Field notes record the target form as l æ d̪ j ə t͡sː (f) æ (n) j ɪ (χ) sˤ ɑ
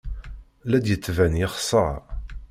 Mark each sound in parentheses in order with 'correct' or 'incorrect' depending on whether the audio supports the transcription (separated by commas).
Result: incorrect, correct, correct